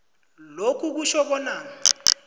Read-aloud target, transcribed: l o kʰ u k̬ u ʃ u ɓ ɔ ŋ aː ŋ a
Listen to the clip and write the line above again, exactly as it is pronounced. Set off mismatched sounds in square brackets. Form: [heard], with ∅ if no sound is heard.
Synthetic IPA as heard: l o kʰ u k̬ u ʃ [ɔ] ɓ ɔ [n] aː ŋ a